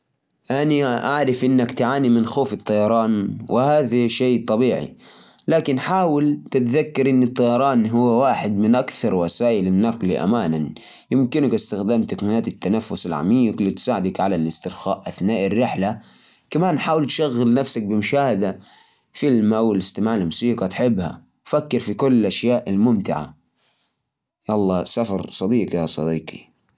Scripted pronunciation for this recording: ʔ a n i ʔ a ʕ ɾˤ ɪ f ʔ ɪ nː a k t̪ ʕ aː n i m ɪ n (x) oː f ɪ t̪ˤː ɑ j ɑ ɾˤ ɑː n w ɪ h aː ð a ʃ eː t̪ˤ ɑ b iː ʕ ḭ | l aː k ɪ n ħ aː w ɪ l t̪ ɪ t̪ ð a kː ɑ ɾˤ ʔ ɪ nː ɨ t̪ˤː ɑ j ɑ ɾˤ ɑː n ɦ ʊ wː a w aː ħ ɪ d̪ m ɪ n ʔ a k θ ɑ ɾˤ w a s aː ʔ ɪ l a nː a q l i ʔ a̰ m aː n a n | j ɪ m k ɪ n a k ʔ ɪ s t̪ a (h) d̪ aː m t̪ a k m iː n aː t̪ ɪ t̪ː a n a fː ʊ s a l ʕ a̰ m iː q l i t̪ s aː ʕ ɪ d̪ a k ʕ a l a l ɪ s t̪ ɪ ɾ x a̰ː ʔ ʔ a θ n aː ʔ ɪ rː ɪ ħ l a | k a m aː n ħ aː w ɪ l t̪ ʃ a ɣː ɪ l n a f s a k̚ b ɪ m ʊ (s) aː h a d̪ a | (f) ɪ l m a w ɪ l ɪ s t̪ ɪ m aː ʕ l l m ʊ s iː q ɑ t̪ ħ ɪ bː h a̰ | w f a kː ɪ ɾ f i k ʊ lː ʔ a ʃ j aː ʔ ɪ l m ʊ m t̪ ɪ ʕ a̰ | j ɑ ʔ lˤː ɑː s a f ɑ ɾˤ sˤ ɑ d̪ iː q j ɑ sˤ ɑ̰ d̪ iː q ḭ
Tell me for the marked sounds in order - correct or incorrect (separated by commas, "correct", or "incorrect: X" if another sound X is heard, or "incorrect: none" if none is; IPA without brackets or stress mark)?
correct, incorrect: x, incorrect: ʃ, correct